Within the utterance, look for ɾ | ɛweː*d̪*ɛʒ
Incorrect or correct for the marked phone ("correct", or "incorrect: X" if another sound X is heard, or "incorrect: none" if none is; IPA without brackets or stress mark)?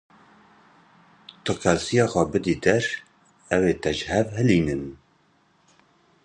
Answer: incorrect: t̪